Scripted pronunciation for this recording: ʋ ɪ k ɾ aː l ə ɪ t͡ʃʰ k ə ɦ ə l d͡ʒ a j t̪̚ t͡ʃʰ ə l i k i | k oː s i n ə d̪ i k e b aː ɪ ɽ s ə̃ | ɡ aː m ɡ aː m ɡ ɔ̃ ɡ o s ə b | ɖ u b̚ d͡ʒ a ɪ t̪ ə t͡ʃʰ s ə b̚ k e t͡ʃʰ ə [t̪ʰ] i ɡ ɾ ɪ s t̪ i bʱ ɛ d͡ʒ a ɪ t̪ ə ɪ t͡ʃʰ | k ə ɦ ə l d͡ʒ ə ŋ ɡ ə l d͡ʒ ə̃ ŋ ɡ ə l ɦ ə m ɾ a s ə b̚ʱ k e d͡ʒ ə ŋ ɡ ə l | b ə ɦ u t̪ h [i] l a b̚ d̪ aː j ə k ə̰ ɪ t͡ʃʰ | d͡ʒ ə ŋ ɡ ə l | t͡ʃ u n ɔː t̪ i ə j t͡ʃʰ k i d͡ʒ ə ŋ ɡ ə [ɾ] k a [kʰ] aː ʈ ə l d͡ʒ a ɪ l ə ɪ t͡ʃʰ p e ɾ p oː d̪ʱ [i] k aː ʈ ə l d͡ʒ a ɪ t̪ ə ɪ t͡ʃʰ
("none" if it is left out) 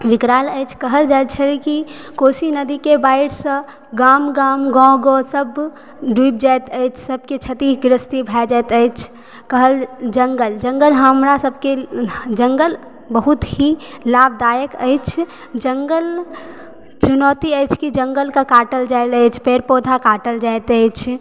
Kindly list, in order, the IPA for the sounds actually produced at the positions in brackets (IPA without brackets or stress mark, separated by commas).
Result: t̪, i, l, k, a